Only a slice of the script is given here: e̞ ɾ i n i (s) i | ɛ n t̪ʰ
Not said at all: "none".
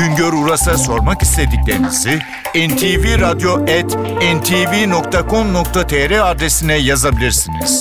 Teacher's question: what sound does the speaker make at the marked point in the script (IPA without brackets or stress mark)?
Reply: z